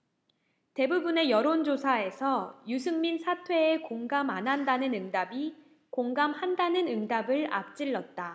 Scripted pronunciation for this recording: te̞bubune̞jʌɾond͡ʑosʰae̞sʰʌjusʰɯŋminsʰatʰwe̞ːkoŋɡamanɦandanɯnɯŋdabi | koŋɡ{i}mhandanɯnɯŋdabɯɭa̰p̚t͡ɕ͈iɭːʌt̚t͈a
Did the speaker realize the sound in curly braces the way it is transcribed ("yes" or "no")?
no